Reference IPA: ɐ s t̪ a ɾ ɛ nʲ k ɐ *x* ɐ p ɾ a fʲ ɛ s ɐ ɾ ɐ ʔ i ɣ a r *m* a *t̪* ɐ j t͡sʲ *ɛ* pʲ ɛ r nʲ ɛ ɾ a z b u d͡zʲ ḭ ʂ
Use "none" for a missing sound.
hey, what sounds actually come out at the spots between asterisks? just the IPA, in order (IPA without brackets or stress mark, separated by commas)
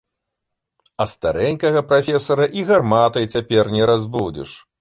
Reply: ɣ, m, t̪, a